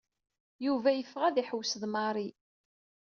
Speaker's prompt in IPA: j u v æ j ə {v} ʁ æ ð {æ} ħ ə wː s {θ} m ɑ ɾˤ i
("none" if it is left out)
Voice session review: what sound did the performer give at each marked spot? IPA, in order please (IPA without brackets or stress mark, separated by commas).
f, i, ð